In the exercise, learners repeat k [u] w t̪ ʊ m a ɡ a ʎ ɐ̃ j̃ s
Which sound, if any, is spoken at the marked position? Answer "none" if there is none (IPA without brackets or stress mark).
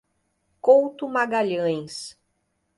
o